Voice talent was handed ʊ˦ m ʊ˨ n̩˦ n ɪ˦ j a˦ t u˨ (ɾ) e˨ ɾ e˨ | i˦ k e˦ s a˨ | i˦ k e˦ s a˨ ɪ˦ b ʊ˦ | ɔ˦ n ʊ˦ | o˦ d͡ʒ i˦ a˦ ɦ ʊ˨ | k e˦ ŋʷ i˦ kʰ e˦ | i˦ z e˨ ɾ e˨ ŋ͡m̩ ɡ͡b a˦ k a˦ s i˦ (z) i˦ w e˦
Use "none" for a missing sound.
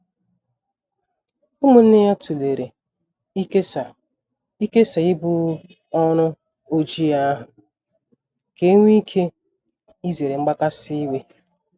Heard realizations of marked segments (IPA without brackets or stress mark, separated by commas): l, none